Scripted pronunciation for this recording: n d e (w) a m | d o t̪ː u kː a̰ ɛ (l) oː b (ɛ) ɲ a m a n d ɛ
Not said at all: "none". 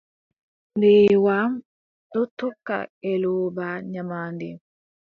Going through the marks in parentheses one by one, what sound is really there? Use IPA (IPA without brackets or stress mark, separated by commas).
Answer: w, l, a